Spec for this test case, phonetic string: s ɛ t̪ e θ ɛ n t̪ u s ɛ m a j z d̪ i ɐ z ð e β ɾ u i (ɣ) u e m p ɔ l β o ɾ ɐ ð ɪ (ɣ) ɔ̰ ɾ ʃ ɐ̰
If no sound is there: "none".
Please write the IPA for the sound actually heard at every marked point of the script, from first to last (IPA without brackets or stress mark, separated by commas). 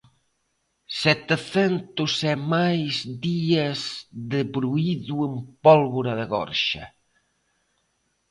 ð, ɣ